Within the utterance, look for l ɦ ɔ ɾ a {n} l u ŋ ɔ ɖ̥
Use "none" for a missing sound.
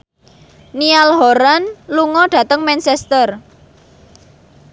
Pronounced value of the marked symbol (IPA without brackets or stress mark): n